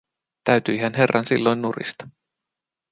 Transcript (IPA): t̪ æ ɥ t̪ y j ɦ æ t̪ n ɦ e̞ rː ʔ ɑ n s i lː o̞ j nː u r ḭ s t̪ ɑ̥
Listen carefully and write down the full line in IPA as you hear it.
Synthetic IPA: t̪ æ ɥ t̪ y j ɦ æ n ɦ e̞ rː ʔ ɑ n s i lː o̞ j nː u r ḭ s t̪ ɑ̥